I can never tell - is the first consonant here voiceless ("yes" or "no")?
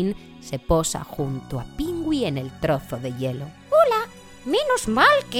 no